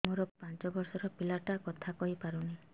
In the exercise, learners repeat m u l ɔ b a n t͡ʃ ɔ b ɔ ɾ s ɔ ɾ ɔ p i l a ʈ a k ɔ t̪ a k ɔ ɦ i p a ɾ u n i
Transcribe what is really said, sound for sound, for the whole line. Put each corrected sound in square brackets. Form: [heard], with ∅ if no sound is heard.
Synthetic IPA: m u [ɾ] ɔ [p] a n t͡ʃ ɔ b ɔ ɾ s ɔ ɾ ɔ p i l a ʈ a k ɔ [t̪ʰ] a k ɔ ɦ i p a ɾ u n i